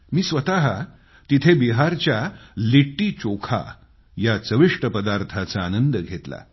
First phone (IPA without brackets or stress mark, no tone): m